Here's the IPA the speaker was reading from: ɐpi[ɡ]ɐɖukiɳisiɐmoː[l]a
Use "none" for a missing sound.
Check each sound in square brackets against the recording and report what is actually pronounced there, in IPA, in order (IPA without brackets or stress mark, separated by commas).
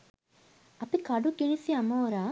k, ɾ